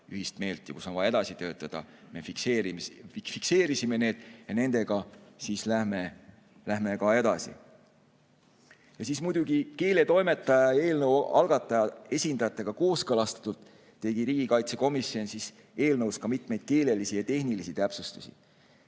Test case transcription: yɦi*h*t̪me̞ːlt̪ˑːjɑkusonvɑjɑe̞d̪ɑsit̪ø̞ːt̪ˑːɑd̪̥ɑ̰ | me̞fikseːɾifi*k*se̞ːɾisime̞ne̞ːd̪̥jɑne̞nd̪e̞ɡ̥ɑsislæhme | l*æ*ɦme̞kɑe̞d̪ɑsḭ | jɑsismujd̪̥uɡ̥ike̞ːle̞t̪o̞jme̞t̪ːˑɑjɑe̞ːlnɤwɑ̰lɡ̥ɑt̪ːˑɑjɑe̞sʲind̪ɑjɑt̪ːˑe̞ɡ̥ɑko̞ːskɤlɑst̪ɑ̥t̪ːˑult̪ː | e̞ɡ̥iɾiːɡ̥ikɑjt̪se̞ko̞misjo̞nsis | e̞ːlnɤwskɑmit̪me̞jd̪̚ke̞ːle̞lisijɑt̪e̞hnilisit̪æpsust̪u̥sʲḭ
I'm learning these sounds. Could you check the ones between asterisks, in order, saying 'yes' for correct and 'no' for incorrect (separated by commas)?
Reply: no, yes, yes